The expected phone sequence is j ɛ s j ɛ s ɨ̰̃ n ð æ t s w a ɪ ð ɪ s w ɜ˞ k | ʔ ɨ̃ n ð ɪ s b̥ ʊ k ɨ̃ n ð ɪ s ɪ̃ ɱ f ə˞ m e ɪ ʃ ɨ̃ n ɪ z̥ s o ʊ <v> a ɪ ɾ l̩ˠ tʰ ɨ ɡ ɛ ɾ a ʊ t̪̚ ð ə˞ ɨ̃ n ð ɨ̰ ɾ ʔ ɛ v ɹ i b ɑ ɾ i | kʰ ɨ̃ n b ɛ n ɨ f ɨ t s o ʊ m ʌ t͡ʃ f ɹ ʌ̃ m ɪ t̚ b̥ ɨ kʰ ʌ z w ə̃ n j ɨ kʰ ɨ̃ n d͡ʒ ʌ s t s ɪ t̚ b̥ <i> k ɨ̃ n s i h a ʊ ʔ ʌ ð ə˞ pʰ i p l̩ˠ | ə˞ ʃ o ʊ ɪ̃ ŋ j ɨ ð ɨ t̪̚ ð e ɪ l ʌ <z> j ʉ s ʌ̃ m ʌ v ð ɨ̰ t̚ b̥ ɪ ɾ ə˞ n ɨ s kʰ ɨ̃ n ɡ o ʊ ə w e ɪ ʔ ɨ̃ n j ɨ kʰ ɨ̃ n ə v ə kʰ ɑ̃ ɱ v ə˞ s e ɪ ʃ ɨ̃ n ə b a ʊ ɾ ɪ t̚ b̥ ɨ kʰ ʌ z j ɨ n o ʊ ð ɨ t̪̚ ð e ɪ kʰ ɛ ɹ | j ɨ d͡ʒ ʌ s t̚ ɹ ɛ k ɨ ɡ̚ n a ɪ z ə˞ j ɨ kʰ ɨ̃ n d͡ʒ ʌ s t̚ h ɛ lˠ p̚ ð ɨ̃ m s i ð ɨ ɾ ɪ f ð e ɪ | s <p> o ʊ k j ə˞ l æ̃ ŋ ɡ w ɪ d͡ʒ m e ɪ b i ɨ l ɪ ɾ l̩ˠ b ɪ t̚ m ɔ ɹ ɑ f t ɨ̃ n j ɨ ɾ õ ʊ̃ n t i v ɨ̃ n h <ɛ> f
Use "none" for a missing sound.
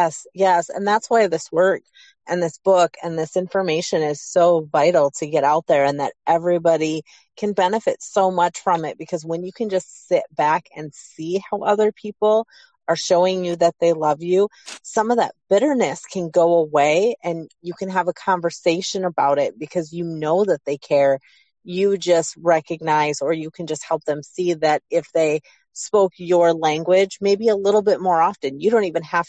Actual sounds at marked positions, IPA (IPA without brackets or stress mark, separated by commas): v, æ, v, p, æ